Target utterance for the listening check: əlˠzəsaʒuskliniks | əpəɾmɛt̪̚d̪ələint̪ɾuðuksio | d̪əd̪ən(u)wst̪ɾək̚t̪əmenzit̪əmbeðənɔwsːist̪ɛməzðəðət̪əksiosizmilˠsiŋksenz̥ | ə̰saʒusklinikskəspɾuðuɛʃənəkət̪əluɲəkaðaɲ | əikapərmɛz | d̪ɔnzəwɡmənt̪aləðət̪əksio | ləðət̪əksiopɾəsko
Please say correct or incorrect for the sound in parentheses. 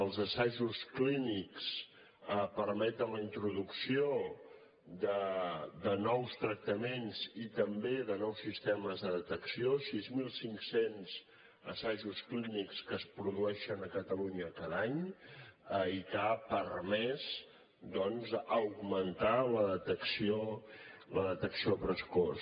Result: incorrect: ɔ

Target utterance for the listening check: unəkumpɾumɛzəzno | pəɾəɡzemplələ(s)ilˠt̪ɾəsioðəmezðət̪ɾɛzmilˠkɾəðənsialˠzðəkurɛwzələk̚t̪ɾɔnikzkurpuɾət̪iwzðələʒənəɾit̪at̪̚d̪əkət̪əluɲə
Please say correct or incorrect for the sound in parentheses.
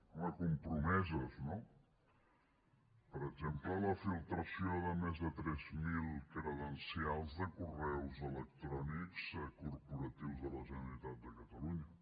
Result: incorrect: f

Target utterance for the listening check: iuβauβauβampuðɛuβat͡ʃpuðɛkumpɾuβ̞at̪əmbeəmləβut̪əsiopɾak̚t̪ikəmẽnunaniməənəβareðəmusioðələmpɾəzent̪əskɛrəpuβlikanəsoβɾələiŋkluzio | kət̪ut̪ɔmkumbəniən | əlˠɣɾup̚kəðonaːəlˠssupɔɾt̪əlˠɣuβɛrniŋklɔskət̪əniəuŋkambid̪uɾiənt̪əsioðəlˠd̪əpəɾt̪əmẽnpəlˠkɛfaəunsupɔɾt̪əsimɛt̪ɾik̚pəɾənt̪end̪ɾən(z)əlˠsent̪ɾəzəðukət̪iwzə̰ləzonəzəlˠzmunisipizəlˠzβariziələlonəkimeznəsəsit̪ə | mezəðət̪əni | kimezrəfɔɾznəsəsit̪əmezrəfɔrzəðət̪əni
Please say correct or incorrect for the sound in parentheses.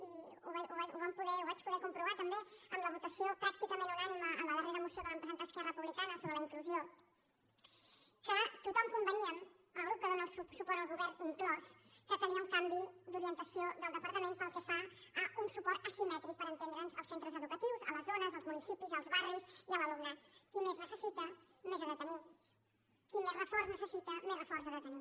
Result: correct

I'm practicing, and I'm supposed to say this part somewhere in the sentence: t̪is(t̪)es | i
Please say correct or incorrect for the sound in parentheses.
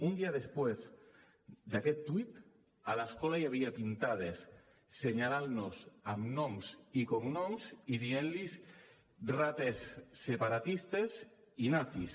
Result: correct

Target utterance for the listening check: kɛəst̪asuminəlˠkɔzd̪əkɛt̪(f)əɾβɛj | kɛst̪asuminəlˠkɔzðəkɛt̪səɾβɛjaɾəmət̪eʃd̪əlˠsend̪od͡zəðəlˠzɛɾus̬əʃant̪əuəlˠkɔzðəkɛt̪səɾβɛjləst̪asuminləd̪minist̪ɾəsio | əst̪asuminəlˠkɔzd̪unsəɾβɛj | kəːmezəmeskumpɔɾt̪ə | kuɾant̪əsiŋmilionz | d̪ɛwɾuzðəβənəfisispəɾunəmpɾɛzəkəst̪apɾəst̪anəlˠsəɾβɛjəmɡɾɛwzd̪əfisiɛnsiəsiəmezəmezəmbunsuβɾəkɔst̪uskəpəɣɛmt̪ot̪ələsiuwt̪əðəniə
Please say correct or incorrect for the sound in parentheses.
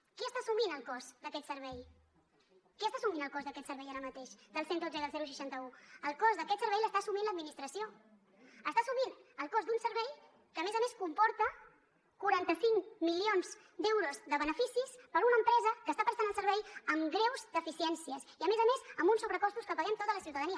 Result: incorrect: s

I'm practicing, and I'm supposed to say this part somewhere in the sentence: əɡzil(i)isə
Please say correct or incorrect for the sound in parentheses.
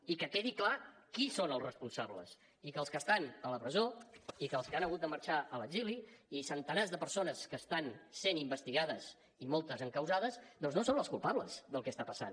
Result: correct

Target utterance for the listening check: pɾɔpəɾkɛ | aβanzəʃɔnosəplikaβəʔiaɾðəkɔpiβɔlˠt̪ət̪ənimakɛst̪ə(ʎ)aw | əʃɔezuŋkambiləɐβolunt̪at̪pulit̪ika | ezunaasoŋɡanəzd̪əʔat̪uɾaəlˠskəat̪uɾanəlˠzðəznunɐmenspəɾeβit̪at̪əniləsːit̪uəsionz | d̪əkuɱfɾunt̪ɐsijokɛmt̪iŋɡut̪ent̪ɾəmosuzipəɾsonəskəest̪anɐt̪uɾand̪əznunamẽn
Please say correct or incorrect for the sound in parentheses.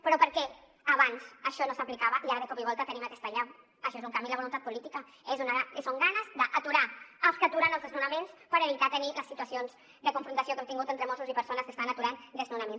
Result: correct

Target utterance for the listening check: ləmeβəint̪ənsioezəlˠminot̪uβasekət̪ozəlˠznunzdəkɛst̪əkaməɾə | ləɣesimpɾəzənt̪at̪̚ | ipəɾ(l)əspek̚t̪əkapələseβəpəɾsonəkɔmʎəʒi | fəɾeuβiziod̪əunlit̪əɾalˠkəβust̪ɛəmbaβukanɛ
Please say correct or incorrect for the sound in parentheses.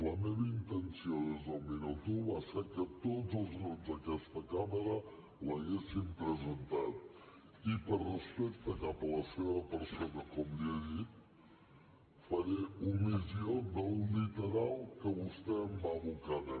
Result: incorrect: r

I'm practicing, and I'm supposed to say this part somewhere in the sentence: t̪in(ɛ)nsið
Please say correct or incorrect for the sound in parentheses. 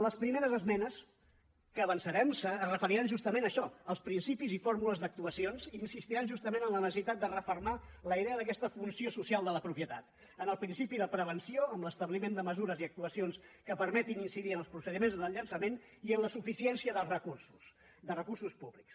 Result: incorrect: i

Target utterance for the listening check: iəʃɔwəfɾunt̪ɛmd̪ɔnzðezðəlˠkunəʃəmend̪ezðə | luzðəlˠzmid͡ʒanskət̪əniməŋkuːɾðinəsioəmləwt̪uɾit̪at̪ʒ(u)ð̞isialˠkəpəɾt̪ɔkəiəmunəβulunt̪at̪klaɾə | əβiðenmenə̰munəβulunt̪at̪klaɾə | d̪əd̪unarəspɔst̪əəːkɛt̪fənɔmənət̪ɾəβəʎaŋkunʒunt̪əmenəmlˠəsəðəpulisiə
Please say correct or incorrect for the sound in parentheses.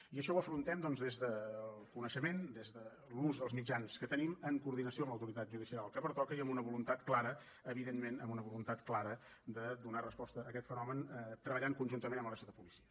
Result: correct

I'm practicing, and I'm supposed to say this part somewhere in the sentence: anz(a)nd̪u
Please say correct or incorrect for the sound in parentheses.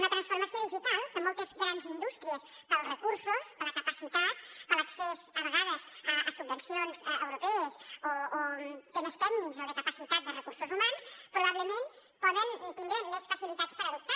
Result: incorrect: i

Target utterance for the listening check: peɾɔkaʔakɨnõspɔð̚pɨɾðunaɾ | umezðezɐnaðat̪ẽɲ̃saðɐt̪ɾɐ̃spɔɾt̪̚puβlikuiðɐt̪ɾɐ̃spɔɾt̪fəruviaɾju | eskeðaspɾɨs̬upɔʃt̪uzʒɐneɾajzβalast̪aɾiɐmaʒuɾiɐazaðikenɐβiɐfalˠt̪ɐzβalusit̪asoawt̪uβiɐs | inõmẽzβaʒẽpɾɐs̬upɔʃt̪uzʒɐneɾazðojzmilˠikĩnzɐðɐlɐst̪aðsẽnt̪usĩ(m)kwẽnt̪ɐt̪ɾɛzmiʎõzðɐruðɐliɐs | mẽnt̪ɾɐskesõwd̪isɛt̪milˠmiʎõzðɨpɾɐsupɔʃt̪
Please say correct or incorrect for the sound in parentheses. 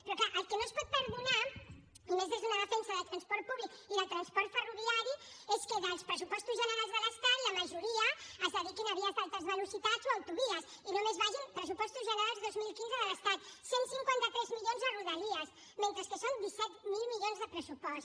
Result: incorrect: ŋ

